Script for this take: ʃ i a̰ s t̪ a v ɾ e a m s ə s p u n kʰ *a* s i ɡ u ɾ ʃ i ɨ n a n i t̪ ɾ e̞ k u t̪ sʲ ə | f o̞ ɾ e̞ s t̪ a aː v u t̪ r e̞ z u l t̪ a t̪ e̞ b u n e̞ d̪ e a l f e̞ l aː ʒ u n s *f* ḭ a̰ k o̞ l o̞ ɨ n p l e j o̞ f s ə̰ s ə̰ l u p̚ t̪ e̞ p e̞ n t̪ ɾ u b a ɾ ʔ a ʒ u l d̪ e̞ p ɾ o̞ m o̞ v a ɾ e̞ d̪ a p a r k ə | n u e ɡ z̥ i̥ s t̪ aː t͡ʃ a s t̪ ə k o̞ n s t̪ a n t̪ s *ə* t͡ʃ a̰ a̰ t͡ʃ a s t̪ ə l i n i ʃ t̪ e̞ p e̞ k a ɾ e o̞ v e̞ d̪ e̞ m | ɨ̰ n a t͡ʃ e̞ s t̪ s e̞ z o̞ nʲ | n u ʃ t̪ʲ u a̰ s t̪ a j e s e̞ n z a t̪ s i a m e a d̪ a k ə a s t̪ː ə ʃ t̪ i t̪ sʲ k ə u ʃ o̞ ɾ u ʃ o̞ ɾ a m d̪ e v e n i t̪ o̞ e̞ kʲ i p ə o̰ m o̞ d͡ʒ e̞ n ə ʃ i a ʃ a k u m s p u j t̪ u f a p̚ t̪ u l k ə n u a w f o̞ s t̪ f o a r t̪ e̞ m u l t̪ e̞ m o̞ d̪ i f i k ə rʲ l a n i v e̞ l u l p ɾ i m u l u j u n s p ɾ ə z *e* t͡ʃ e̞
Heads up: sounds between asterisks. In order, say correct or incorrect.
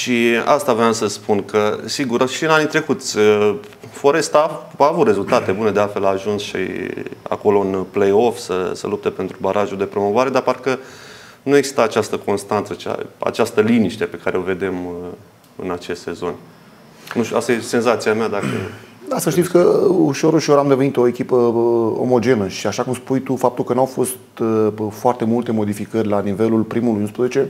incorrect: ə, incorrect: ʃ, correct, correct

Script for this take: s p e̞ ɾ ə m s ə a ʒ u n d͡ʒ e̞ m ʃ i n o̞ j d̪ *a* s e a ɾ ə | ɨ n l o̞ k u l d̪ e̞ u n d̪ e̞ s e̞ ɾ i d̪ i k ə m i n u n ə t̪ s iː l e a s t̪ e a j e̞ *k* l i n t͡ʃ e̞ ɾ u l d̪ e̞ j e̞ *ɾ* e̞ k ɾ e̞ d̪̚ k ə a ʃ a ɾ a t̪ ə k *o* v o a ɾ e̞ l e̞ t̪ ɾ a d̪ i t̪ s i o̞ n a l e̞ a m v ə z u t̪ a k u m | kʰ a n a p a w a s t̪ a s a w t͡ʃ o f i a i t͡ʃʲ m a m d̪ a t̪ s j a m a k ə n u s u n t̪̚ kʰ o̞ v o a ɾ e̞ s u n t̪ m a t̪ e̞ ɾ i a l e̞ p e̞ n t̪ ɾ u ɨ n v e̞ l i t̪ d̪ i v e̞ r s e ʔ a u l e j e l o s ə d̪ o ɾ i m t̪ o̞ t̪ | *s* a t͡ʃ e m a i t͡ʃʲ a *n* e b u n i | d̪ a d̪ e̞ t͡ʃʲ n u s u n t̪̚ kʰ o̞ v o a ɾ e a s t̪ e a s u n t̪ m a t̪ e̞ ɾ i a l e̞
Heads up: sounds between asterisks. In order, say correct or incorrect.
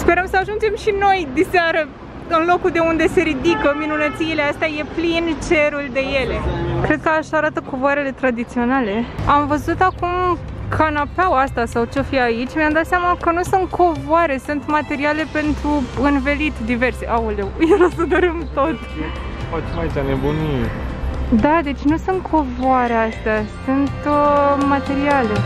incorrect: i, incorrect: p, incorrect: l, correct, incorrect: f, correct

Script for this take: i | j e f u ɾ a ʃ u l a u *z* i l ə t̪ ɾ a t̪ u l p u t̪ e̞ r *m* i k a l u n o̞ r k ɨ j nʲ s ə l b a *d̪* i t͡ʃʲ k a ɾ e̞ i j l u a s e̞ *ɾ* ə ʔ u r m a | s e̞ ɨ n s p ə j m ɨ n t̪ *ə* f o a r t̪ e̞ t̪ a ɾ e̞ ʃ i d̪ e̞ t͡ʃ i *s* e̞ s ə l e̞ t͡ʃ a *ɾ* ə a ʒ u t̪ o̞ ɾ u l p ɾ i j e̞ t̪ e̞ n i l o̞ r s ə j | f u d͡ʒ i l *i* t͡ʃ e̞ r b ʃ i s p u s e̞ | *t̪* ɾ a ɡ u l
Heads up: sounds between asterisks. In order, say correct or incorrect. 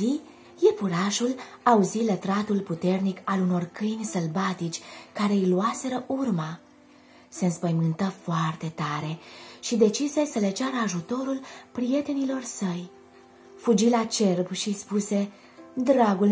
correct, incorrect: n, incorrect: t̪, correct, correct, correct, correct, incorrect: a, incorrect: d̪

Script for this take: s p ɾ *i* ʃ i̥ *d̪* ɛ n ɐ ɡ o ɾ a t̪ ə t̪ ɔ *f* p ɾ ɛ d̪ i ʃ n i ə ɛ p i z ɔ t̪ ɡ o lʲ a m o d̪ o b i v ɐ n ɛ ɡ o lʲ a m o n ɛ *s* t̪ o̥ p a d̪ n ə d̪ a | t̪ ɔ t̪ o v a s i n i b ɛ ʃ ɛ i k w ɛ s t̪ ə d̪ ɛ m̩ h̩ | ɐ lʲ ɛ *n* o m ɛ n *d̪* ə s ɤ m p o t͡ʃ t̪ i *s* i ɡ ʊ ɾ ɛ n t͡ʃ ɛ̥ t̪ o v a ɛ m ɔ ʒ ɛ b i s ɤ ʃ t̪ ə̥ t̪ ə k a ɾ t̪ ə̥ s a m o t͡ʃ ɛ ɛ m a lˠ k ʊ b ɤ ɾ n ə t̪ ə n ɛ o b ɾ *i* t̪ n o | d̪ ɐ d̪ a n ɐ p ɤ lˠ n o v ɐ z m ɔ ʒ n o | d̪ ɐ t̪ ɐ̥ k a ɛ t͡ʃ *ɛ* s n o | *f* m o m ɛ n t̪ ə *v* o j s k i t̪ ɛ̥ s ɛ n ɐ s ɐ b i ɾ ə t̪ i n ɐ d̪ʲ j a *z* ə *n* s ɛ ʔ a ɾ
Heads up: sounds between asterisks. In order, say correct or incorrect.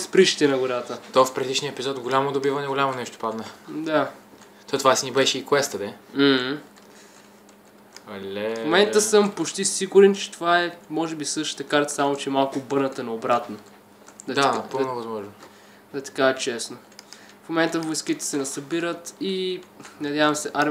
correct, incorrect: t̪, correct, incorrect: ʃ, incorrect: m, incorrect: t̪, correct, incorrect: a, correct, correct, correct, incorrect: v, incorrect: m

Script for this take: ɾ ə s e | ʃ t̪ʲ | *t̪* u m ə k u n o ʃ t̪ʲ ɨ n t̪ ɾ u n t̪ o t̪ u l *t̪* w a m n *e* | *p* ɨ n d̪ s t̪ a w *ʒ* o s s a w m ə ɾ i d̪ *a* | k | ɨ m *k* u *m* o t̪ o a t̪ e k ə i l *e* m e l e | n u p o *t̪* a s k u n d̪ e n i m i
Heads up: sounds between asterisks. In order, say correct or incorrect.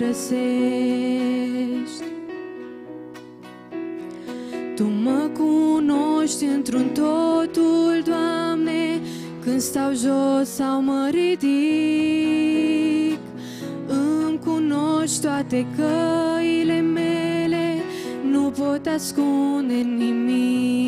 correct, incorrect: d̪, correct, incorrect: k, correct, incorrect: i, correct, incorrect: n, correct, correct

